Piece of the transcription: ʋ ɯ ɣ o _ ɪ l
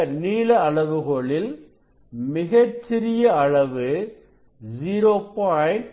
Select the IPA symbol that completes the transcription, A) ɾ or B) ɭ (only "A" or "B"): B